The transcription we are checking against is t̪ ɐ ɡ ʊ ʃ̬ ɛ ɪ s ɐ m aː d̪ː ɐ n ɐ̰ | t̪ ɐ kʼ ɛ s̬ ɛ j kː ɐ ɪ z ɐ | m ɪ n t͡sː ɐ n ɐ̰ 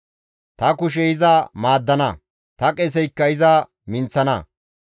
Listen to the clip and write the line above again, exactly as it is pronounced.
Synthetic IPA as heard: t̪ ɐ k ʊ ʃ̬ ɛ ɪ z ɐ m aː d̪ː ɐ n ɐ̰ | t̪ ɐ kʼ ɛ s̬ ɛ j kː ɐ ɪ z ɐ | m ɪ n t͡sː ɐ n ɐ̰